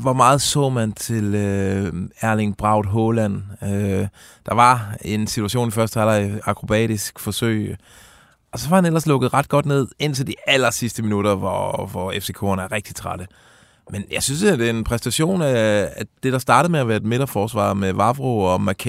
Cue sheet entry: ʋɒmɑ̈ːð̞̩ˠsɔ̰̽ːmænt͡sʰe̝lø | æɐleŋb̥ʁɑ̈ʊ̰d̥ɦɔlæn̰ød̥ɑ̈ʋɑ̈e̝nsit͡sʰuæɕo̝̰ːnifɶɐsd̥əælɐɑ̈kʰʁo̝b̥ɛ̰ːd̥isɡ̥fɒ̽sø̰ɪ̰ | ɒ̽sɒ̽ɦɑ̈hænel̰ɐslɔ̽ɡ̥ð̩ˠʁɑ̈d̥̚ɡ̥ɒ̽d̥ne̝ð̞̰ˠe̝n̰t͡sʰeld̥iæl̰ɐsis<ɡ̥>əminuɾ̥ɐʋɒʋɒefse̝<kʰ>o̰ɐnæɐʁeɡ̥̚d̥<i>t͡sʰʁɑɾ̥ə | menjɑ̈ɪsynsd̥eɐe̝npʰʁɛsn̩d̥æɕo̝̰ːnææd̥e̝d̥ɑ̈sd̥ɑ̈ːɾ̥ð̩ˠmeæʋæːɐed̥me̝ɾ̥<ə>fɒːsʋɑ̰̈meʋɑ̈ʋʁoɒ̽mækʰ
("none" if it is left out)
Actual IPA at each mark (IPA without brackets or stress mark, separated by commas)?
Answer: d̥, kʰ, i, ɐ